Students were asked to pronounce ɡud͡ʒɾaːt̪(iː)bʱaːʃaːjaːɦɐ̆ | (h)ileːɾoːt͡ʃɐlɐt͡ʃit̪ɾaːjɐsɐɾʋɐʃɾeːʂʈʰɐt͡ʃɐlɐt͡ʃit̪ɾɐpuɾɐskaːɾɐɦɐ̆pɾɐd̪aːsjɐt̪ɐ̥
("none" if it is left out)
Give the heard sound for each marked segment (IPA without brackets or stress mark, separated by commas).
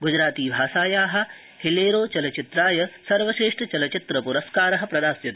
iː, h